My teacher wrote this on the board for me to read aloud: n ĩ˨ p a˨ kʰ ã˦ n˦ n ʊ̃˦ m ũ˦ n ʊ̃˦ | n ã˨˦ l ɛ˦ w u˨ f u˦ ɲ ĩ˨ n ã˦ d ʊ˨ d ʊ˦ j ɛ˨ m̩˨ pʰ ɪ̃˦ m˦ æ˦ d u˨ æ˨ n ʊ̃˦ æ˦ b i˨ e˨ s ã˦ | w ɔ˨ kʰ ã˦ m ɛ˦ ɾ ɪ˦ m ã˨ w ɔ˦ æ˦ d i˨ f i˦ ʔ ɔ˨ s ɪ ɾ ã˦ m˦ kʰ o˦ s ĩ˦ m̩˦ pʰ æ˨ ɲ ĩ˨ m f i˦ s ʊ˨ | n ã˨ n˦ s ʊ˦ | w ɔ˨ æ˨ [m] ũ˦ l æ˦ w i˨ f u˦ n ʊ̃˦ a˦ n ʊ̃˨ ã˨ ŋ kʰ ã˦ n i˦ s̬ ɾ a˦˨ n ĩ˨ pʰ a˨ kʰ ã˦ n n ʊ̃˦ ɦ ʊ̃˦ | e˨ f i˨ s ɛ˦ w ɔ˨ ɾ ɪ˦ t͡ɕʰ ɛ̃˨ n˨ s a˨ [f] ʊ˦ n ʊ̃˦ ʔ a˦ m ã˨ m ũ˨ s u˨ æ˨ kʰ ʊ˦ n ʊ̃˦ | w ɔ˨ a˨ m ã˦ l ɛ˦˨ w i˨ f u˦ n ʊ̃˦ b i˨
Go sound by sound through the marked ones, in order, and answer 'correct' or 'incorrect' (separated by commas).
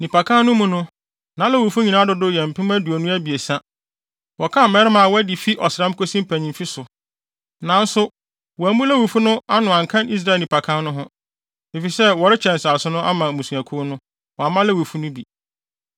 correct, incorrect